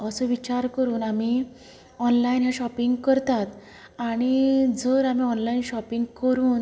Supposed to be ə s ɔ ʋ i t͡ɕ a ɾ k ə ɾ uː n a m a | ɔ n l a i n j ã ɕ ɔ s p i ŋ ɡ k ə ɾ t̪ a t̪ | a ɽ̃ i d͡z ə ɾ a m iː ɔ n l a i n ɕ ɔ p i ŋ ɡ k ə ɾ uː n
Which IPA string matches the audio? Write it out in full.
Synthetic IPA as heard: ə s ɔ ʋ i t͡ɕ a ɾ k ə ɾ uː n a m i | ɔ n l a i n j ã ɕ ɔ p i ŋ ɡ k ə ɾ t̪ a t̪ | a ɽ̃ i d͡z ə ɾ a m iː ɔ n l a i n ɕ ɔ p i ŋ ɡ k ə ɾ uː n